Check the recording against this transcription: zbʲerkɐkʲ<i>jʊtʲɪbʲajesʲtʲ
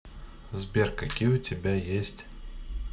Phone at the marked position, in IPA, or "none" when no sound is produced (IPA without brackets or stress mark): i